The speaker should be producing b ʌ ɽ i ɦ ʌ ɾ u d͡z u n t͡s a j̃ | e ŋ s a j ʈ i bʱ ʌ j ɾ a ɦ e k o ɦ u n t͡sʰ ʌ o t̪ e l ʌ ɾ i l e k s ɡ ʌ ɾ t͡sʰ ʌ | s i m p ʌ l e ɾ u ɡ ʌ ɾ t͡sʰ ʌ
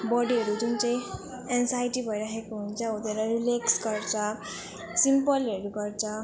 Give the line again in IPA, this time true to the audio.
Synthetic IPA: b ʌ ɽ i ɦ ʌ ɾ u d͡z u n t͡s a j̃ | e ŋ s a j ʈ i bʱ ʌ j ɾ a ɦ e k o ɦ u n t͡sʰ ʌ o t̪ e ɾ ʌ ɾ i l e k s ɡ ʌ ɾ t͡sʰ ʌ | s i m p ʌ l e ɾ u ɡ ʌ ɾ t͡sʰ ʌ